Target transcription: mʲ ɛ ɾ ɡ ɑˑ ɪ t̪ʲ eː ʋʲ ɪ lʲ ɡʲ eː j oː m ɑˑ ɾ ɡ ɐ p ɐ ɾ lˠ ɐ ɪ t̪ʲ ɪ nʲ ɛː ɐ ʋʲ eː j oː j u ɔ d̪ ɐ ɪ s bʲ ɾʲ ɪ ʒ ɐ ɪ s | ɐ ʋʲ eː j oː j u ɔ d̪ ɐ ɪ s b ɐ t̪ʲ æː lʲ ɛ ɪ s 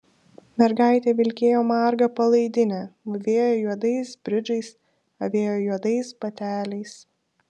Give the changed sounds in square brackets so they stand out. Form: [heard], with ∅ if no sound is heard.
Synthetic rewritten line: mʲ ɛ ɾ ɡ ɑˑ ɪ t̪ʲ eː ʋʲ ɪ lʲ [kʲ] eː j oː m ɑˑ ɾ ɡ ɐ p ɐ [∅] lˠ ɐ ɪ [d̪ʲ] ɪ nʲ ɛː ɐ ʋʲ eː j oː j u ɔ d̪ ɐ ɪ s bʲ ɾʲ ɪ [d͡ʒ] ɐ ɪ s | ɐ ʋʲ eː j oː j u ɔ d̪ ɐ ɪ s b ɐ t̪ʲ æː lʲ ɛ ɪ s